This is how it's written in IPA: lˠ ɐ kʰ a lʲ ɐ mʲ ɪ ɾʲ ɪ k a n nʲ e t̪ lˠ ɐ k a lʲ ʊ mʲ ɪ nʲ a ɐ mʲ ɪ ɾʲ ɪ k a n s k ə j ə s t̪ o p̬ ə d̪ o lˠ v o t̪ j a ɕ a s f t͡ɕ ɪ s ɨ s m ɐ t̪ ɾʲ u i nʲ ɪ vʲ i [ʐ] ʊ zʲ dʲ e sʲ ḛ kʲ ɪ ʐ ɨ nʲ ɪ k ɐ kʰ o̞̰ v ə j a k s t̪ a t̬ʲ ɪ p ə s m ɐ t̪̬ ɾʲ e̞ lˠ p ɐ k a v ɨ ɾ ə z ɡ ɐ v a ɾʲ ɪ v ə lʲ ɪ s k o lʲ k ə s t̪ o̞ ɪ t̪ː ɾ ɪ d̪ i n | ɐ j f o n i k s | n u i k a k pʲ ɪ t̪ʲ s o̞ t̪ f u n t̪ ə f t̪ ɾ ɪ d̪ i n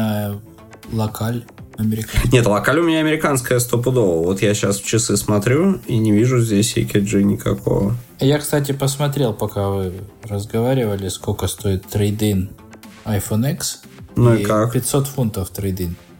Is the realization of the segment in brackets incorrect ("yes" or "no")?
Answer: no